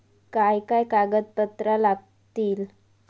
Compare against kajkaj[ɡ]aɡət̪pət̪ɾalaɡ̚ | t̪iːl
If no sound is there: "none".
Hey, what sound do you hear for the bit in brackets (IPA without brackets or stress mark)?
k